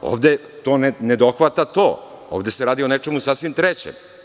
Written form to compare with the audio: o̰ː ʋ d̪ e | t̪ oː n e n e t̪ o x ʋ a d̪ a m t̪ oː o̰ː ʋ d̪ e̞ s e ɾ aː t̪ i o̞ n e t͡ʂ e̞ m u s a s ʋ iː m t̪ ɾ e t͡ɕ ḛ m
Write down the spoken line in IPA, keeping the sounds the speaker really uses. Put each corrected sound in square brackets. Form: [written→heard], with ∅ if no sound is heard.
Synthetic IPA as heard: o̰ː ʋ d̪ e | t̪ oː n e n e [t̪→d̪] o x ʋ a [d̪→t̪] a [m→∅] t̪ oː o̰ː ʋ d̪ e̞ s e ɾ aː [t̪→d̪] i o̞ n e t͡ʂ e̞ m u s a s ʋ [iː→i] m t̪ ɾ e t͡ɕ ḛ m